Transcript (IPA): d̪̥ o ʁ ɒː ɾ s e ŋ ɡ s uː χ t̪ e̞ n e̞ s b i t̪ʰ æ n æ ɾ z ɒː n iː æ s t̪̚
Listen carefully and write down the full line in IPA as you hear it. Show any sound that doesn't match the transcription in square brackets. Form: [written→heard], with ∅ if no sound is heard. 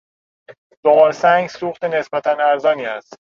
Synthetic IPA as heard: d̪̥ o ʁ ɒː ɾ s [e→æ] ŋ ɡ s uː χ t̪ e̞ n e̞ s b [i→æ] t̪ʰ æ n æ ɾ z ɒː n iː æ s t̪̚

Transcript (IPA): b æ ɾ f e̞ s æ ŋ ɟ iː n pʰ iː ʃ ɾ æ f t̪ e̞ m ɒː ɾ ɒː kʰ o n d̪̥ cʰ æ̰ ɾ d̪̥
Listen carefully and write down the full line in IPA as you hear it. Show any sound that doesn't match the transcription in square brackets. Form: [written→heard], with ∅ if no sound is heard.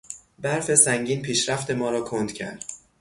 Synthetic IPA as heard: b æ ɾ f e̞ s æ ŋ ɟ iː n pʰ iː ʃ ɾ æ f t̪ e̞ m ɒː ɾ ɒː kʰ o n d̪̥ cʰ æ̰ ɾ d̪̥

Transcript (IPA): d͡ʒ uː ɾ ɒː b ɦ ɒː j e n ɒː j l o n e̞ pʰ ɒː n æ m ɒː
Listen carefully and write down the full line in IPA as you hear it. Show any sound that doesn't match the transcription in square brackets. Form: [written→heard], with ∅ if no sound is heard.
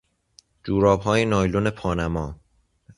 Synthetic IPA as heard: d͡ʒ uː ɾ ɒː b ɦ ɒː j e n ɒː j l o n e̞ pʰ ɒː n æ m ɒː

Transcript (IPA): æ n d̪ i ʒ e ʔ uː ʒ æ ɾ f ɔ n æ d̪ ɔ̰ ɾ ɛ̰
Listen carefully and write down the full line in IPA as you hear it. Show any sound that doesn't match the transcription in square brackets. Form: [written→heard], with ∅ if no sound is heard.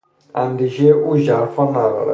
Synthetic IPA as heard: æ n d̪ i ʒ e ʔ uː ʒ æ ɾ f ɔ n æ d̪ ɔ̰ ɾ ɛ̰

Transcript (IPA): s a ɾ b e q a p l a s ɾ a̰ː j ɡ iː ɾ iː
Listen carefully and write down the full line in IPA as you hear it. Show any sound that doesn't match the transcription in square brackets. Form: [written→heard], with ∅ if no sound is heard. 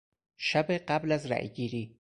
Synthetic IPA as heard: [s→ʃ] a [ɾ→∅] b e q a [p→b] l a [s→z] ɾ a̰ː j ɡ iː ɾ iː

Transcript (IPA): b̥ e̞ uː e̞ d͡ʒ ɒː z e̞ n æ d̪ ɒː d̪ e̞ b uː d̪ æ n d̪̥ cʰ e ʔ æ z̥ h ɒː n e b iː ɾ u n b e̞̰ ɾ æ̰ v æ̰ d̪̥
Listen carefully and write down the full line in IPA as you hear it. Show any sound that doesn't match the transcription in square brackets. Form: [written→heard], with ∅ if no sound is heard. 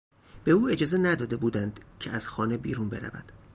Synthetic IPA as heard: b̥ e̞ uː e̞ d͡ʒ ɒː z e̞ n æ d̪ ɒː d̪ e̞ b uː d̪ æ n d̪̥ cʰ e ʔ æ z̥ [h→x] ɒː n e b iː ɾ u n b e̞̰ ɾ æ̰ v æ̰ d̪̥

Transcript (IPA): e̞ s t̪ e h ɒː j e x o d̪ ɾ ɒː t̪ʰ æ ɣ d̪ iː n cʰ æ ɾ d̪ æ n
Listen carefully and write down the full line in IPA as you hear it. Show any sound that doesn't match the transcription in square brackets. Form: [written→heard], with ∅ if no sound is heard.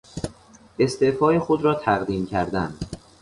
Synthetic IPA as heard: e̞ s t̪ e [h→f] ɒː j e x o d̪ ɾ ɒː t̪ʰ æ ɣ d̪ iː [n→m] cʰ æ ɾ d̪ æ n

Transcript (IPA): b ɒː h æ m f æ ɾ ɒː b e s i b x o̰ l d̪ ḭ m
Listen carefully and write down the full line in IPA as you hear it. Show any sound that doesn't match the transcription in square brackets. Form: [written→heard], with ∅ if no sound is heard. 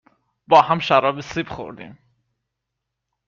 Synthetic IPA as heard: b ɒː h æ m [f→ʃ] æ ɾ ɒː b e s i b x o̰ [l→ɾ] d̪ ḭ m

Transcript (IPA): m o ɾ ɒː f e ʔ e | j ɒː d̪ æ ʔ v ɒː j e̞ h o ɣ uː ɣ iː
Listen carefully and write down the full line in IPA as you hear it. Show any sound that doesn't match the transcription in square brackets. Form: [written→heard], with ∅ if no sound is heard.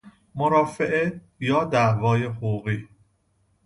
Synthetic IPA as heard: m o ɾ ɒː f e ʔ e | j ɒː d̪ æ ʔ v ɒː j e̞ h o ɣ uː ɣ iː

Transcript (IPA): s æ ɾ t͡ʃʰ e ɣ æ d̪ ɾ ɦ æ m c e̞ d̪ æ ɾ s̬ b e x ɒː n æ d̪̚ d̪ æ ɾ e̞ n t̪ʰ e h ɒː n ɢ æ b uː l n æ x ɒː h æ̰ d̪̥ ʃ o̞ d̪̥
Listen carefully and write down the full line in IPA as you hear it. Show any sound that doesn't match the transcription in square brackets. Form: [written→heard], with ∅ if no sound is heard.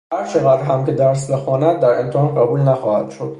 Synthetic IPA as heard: [s→h] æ ɾ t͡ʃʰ e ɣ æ d̪ ɾ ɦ æ m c e̞ d̪ æ ɾ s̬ b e x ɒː n æ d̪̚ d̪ æ ɾ e̞ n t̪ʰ e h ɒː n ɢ æ b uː l n æ x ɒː h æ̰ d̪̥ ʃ o̞ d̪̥

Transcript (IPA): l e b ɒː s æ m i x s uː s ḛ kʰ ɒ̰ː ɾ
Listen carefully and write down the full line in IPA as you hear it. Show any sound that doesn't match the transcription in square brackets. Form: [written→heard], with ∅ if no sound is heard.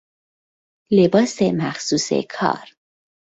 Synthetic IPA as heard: l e b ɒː s [æ→e] m [i→æ] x s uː s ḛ kʰ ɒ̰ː ɾ

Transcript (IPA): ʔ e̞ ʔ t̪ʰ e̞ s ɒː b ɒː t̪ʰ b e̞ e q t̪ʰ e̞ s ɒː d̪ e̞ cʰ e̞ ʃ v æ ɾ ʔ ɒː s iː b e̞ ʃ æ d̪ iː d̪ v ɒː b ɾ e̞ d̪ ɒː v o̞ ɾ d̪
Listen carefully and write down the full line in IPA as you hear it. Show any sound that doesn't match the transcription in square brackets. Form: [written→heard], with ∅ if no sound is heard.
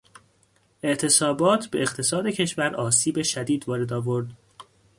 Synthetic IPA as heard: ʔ e̞ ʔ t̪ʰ e̞ s ɒː b ɒː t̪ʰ b e̞ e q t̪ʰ e̞ s ɒː d̪ e̞ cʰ e̞ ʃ v æ ɾ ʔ ɒː s iː b e̞ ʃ æ d̪ iː d̪ v ɒː [b→∅] ɾ e̞ d̪ ɒː v o̞ ɾ d̪

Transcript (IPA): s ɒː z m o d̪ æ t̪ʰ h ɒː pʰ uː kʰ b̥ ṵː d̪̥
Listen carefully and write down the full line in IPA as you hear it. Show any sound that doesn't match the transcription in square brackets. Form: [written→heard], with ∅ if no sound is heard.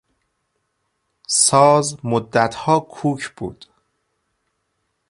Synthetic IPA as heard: s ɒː z m o [d̪→d̪ː] æ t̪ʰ h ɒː [pʰ→kʰ] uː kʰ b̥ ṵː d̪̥

